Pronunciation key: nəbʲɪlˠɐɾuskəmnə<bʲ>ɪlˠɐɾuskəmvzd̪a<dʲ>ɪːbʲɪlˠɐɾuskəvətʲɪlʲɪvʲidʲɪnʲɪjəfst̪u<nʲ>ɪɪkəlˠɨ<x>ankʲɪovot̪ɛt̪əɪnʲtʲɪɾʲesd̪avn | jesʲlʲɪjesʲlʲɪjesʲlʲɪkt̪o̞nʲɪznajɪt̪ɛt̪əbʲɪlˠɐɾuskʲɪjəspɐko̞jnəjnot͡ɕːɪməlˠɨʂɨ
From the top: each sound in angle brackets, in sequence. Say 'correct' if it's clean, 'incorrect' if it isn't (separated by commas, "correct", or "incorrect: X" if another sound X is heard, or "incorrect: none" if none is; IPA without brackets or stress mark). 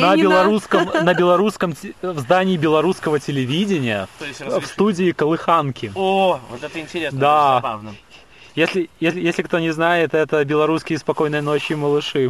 correct, incorrect: nʲ, incorrect: dʲ, correct